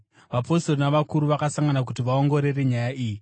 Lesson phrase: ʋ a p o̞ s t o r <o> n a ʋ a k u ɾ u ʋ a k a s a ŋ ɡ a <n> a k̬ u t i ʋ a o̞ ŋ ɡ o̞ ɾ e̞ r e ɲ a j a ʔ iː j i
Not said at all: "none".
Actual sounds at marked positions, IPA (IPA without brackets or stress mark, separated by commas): o, n